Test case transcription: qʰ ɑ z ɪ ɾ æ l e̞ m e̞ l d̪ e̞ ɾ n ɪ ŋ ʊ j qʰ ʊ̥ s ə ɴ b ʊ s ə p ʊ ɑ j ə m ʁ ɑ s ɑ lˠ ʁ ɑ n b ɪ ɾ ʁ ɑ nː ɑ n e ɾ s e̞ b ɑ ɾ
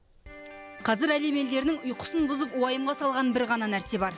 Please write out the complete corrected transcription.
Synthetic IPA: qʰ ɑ z ɪ ɾ æ l e̞ m e̞ l d̪ e̞ ɾ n ɪ ŋ ʊ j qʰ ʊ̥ s ə n b ʊ z ə p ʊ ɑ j ə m ʁ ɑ s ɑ lˠ ʁ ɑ n b ɪ ɾ ʁ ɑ n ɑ n æ ɾ s e̞ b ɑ ɾ

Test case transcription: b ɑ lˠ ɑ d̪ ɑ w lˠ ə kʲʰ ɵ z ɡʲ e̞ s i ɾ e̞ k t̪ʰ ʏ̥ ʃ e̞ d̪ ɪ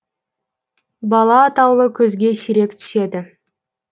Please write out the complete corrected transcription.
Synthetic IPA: b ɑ lˠ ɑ t̪ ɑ w lˠ ə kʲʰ ɵ z ɡʲ e̞ s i ɾ e̞ k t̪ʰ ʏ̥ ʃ e̞ d̪ ɪ

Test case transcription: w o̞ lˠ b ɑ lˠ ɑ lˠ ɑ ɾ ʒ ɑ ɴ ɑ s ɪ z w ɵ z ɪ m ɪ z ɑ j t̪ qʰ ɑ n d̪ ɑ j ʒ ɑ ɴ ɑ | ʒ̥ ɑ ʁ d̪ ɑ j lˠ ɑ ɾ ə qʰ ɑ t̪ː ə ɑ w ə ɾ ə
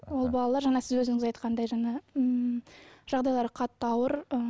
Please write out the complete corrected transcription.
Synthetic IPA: w o̞ lˠ b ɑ lˠ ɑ lˠ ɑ ɾ ʒ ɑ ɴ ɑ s ɪ z w ɵ z ɪ ŋ ɪ z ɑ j t̪ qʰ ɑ n d̪ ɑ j ʒ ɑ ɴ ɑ | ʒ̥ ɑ ʁ d̪ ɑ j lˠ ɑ ɾ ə qʰ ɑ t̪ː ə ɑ w ə ɾ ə

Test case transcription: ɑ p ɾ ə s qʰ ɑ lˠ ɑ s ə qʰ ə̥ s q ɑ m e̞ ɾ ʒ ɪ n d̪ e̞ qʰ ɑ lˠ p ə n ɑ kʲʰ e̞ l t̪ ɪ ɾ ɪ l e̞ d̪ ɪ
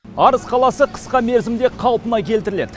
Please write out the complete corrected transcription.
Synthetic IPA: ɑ ɾ ə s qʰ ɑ lˠ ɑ s ə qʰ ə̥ s q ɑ m e̞ ɾ z ɪ m d̪ e̞ qʰ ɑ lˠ p ə n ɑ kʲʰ e̞ l t̪ ɪ ɾ ɪ l e̞ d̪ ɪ

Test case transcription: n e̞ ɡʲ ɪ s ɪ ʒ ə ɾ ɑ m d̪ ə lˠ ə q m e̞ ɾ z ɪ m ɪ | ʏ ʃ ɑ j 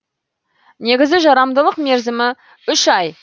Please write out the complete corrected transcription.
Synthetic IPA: n e̞ ɡʲ ɪ z ɪ ʒ ɑ ɾ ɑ m d̪ ə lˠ ə q m e̞ ɾ z ɪ m ɪ | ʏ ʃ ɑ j

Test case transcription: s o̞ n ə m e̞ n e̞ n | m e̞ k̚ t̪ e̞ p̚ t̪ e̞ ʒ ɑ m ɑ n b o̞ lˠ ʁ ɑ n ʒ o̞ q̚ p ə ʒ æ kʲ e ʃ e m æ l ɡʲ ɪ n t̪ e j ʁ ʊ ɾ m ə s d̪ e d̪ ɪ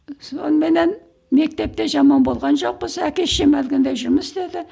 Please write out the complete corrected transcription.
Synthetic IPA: s o̞ n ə m e̞ n e̞ n | m e̞ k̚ t̪ e̞ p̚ t̪ e̞ ʒ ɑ m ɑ n b o̞ lˠ ʁ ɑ n ʒ o̞ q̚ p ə z æ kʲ e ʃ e m æ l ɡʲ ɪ n d̪ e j ʒ ʊ ɾ m ə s d̪ e d̪ ɪ

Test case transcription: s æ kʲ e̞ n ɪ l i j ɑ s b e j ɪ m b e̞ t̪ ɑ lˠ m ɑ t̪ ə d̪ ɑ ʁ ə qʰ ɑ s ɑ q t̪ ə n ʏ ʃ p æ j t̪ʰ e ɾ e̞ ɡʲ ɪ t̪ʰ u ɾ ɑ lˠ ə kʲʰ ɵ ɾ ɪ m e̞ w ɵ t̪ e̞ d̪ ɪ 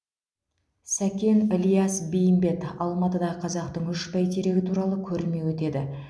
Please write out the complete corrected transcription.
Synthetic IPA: s æ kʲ e̞ n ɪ l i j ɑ s b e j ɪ m b e̞ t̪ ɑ lˠ m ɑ t̪ ə d̪ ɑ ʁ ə qʰ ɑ z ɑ q t̪ ə ɴ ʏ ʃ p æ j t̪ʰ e ɾ e̞ ɡʲ ɪ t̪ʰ u ɾ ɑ lˠ ə kʲʰ ɵ ɾ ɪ m e̞ w ɵ t̪ e̞ d̪ ɪ

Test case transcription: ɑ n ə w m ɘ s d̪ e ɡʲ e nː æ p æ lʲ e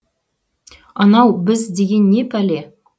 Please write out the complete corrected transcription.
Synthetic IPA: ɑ n ɑ w b ɘ z d̪ e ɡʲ e nː e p æ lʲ e

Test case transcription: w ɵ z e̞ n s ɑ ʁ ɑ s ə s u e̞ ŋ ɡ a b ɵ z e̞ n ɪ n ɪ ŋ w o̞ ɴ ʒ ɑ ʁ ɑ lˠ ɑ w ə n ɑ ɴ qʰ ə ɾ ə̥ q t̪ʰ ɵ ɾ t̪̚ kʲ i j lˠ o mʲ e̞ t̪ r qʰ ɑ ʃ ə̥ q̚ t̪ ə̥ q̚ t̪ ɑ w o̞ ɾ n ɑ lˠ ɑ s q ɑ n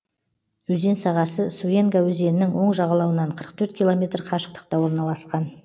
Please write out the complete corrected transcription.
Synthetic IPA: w ɵ z e̞ n s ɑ ʁ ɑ s ə s u e̞ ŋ ɡ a w ɵ z e̞ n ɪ n ɪ ŋ w o̞ ɴ ʒ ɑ ʁ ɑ lˠ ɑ w ə n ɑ ɴ qʰ ə ɾ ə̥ q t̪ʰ ɵ ɾ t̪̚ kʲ i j lˠ o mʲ e̞ t̪ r qʰ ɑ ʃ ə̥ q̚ t̪ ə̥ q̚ t̪ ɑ w o̞ ɾ n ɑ lˠ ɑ s q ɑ n

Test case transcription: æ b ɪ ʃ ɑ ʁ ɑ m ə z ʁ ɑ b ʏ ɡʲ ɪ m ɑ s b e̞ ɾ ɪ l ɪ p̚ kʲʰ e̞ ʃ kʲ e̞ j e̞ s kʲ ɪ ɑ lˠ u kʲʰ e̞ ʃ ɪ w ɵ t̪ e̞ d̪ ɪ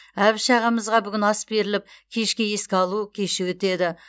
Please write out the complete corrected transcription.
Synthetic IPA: æ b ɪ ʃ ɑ ʁ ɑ m ə z ʁ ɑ b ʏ ɡʲ ɪ n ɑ s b e̞ ɾ ɪ l ɪ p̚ kʲʰ e̞ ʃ kʲ e̞ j e̞ s kʲ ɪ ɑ lˠ u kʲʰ e̞ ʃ ɪ w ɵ t̪ e̞ d̪ ɪ

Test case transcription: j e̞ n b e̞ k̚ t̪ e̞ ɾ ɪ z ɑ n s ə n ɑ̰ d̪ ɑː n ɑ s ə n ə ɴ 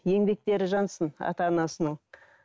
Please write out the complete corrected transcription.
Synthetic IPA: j e̞ ŋ b e̞ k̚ t̪ e̞ ɾ ɪ ʒ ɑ n s ə n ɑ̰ t̪ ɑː n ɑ s ə n ə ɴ

